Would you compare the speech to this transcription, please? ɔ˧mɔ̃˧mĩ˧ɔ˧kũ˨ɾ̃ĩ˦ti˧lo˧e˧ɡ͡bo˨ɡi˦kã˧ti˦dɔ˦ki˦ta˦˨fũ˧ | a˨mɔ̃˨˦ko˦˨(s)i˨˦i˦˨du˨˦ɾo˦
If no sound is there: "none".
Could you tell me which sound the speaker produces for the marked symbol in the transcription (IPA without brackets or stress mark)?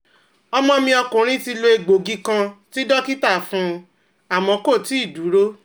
t